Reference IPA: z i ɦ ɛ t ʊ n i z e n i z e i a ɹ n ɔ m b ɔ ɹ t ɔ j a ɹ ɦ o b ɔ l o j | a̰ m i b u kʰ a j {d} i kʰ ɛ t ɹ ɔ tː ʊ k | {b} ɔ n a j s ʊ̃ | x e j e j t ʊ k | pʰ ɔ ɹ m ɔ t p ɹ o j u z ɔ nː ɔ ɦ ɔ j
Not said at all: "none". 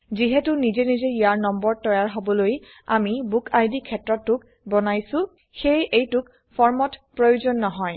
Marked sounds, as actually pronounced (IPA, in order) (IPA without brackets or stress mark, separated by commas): d, b